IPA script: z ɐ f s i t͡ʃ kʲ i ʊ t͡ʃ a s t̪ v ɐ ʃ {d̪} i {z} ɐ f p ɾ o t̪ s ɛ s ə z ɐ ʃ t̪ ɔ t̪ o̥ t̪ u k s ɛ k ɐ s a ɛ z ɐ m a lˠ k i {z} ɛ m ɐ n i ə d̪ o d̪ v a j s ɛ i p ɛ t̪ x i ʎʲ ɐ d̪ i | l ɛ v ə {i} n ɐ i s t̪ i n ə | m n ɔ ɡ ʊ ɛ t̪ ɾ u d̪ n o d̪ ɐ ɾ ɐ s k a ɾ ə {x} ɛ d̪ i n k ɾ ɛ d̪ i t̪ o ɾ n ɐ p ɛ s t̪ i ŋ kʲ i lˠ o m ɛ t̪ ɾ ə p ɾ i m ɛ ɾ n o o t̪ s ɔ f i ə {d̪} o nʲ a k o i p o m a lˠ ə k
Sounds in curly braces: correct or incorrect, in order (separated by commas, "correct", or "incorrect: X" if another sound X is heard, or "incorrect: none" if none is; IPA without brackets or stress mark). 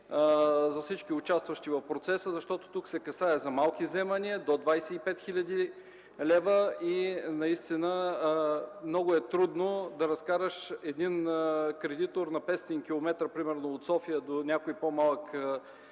incorrect: t̪, incorrect: v, correct, correct, incorrect: ʃ, correct